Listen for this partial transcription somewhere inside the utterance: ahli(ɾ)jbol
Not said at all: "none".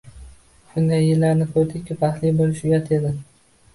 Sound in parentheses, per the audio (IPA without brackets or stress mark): none